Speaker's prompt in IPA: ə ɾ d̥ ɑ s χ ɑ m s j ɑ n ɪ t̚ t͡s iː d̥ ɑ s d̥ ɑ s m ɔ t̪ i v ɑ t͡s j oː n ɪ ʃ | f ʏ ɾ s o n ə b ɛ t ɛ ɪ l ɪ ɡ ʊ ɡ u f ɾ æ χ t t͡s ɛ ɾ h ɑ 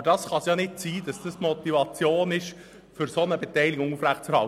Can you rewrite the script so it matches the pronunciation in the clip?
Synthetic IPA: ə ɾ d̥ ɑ s χ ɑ s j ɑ n ɪ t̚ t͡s iː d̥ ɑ s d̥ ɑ s m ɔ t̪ i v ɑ t͡s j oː n ɪ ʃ | f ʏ ɾ s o n ə b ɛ t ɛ ɪ l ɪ ɡ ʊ ŋ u f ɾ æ χ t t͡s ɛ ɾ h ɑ